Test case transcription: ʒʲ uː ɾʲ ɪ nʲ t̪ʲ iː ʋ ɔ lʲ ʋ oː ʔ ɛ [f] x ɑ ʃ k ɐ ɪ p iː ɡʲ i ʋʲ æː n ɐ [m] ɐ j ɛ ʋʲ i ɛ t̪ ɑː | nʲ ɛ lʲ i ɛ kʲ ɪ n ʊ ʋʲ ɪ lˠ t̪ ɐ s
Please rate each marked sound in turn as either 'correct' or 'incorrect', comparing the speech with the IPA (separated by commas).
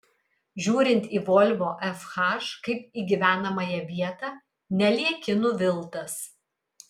correct, correct